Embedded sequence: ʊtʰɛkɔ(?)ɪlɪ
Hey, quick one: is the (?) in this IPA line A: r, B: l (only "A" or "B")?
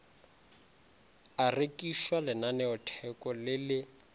B